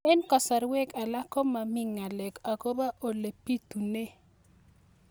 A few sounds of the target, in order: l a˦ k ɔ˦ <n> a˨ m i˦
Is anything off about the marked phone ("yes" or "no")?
yes